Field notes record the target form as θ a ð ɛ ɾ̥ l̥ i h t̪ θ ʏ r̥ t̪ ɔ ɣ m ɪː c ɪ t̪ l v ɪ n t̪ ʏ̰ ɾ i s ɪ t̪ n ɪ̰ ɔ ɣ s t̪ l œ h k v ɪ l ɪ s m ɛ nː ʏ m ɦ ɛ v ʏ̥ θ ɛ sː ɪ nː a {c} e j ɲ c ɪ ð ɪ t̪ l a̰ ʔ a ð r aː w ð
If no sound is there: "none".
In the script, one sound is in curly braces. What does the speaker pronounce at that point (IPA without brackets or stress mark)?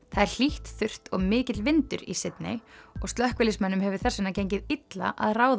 c